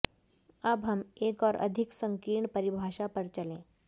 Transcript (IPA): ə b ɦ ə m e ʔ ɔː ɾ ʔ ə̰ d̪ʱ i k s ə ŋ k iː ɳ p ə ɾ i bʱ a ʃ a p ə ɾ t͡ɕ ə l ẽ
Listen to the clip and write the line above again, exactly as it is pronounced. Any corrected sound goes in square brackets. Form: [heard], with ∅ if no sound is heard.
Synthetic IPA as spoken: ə b ɦ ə m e [k] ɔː ɾ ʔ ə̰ d̪ʱ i k s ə ŋ k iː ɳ p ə ɾ i bʱ a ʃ a p ə ɾ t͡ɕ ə l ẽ